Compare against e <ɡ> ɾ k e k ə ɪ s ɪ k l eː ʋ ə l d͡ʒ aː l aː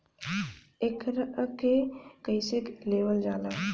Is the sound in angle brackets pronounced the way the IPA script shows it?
no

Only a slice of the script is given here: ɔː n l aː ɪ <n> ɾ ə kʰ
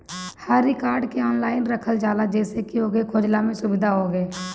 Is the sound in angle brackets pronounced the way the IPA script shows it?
yes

